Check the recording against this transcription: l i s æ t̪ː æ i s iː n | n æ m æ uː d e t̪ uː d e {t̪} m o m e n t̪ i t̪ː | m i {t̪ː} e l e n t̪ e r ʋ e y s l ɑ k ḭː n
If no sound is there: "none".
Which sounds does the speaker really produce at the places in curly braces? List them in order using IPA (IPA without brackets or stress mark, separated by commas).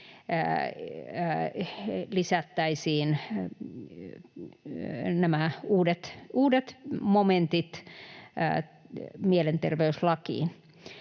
t̪, none